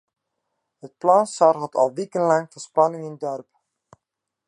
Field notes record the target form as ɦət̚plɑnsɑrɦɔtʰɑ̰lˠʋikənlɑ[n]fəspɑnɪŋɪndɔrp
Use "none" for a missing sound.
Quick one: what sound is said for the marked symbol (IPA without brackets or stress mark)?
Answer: ŋ